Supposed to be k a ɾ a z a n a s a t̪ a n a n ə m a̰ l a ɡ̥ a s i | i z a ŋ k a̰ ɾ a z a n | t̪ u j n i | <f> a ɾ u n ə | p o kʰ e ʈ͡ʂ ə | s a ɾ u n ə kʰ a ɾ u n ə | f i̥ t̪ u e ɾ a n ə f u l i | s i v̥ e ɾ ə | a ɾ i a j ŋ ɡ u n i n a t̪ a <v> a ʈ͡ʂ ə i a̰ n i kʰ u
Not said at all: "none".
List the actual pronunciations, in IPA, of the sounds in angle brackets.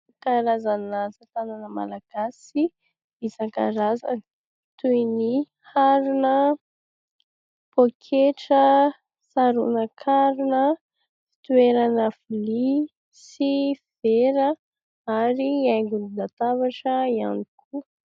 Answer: h, v

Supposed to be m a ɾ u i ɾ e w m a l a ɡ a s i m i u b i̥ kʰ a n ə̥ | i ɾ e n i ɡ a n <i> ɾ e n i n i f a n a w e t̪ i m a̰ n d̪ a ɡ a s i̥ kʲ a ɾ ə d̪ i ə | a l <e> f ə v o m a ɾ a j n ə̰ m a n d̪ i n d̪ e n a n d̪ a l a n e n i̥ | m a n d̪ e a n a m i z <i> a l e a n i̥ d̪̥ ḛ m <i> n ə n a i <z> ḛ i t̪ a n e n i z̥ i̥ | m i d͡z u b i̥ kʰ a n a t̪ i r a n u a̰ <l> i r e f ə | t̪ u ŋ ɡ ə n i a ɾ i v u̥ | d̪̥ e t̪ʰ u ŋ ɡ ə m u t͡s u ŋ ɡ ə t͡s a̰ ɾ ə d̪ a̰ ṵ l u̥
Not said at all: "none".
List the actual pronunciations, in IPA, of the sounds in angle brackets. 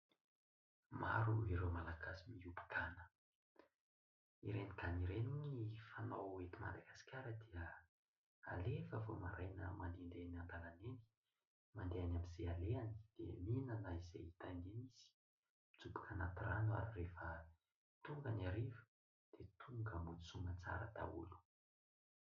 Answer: i, e, e, i, z, ɾ

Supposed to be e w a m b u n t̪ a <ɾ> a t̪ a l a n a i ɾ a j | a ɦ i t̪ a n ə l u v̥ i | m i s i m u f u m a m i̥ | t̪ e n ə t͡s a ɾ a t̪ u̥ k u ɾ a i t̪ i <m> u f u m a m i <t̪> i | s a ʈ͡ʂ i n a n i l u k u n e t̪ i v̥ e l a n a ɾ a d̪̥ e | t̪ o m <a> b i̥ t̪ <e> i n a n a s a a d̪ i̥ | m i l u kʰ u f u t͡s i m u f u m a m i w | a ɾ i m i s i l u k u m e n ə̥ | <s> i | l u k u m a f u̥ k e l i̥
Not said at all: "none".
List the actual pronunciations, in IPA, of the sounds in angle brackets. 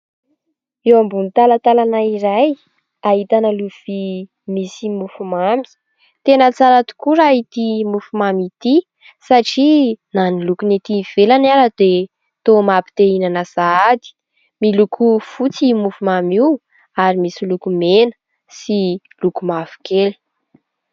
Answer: l, m, t̪, a, e, s

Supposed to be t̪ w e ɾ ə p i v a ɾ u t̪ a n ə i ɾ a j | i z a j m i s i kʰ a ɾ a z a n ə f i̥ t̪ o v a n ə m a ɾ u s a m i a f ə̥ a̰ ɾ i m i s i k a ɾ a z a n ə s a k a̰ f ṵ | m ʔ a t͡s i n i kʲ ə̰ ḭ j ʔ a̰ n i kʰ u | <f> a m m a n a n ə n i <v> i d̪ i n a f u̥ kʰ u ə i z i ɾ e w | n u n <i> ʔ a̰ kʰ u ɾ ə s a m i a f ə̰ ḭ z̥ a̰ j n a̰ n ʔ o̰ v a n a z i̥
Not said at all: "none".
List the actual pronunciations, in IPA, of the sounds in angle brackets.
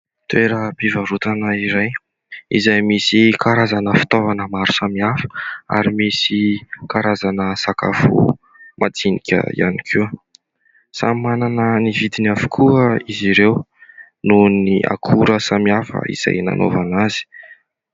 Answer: s, v, i

